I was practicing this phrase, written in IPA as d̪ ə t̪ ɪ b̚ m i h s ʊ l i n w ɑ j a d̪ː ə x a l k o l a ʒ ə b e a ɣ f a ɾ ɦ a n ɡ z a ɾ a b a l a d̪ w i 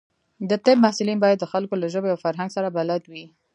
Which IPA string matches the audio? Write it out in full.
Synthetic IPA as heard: d̪ ə t̪ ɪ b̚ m a h s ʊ l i n b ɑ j a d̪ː ə x a l k o l a ʒ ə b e a w f a ɾ ɦ a ŋ ɡ s a ɾ a b a l a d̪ w i